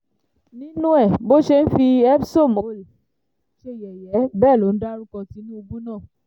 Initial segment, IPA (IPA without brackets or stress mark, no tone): n